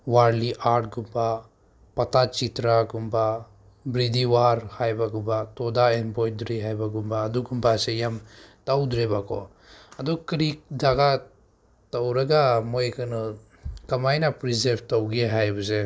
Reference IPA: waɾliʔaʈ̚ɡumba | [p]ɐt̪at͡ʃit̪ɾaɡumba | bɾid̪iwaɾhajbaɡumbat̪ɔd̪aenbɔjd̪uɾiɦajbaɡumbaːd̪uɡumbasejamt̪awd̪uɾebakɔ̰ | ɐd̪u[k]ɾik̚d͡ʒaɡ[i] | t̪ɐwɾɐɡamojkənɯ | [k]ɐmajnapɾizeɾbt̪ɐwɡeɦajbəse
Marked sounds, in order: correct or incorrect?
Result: correct, correct, incorrect, correct

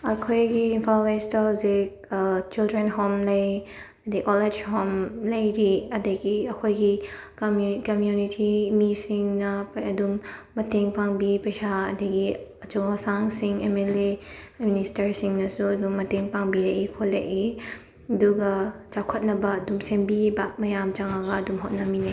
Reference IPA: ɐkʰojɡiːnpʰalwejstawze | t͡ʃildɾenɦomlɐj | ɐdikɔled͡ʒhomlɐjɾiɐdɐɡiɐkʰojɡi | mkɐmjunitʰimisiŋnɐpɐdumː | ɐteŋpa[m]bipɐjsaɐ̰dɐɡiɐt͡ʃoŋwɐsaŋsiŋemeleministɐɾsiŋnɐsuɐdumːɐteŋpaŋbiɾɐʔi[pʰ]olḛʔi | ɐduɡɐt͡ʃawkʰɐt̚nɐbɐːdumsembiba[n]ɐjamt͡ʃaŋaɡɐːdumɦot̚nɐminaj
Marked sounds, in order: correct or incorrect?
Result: incorrect, incorrect, incorrect

